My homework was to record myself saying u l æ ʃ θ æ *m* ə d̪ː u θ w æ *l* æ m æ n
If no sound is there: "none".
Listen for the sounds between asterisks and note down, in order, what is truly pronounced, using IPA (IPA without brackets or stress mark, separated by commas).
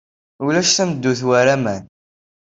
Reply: m, ɾ